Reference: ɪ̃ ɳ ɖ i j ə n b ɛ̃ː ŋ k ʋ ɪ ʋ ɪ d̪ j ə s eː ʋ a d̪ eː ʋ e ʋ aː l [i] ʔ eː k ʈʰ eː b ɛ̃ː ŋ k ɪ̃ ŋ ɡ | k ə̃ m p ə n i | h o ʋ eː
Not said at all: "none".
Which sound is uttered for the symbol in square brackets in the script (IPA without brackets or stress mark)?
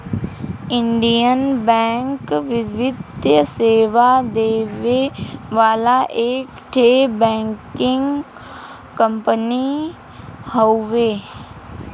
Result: a